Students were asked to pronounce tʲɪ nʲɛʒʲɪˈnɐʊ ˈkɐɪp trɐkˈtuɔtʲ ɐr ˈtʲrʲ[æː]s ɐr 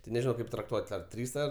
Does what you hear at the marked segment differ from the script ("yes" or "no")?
yes